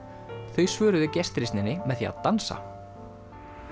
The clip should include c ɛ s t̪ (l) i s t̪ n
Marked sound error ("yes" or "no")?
yes